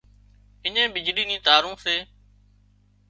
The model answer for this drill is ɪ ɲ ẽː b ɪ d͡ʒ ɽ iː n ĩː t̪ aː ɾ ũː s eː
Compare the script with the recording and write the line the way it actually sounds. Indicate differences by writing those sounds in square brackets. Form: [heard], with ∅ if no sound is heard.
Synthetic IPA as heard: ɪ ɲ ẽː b ɪ d͡ʒ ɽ iː n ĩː t̪ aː ɾ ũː s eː